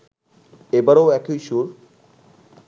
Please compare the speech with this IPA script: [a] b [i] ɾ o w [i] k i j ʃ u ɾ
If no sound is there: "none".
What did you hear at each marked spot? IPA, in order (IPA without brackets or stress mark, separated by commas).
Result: e, a, ɛ